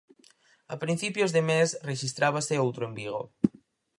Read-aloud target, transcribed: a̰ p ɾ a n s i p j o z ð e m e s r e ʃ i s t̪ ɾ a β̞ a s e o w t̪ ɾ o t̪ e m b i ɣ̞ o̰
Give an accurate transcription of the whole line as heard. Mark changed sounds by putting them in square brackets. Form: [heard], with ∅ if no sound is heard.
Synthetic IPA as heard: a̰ p ɾ [i] n [θ] i p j o z ð e m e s r e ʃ i s t̪ ɾ a β̞ a s e o w t̪ ɾ o [∅] e m b i ɣ̞ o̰